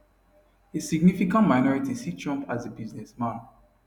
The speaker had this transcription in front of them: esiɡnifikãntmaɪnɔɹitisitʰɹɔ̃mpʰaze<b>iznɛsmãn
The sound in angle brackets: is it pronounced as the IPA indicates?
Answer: yes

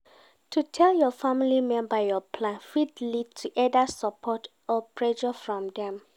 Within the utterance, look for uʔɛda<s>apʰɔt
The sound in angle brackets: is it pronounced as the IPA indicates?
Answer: yes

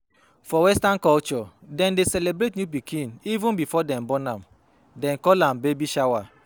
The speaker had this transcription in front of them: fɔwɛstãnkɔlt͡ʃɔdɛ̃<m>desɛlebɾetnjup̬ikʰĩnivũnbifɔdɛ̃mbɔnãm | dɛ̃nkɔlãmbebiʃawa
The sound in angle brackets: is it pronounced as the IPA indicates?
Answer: no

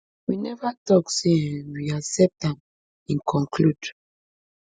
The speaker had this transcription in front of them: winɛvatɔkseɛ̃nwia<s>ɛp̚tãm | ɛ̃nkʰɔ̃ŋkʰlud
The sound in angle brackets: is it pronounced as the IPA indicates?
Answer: yes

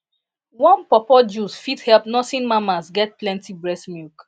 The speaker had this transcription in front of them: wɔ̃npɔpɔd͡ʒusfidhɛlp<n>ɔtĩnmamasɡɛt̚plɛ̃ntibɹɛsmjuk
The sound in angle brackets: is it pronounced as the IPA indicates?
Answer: yes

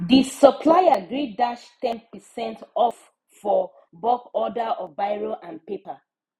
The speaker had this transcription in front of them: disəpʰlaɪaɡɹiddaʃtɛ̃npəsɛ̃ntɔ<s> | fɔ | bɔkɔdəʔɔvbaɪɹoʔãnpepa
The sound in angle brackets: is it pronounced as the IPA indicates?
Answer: no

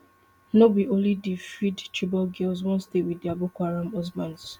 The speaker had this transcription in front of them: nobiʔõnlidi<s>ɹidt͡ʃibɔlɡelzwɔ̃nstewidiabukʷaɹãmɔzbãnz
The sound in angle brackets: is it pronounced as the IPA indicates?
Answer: no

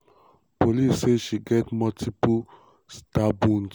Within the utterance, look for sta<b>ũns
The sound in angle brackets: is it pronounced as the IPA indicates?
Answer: yes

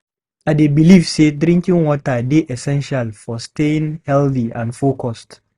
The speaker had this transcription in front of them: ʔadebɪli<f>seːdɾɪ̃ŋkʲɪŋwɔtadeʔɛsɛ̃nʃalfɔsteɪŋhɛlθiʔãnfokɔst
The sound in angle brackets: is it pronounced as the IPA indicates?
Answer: yes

